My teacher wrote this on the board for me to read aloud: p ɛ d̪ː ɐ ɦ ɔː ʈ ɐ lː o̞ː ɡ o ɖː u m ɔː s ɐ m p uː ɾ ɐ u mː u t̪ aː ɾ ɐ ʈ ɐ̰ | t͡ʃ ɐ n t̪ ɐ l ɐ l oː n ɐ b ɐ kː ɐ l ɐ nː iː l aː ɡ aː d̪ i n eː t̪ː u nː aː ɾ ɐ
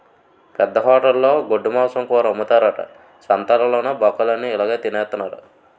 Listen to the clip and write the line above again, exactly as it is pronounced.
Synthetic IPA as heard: p ɛ d̪ː ɐ ɦ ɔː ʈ ɐ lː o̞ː ɡ o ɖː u m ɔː s ɐ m k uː ɾ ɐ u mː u t̪ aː ɾ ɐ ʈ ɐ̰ | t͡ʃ ɐ n t̪ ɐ l ɐ l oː n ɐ b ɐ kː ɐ l ɐ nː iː l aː ɡ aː t̪ i n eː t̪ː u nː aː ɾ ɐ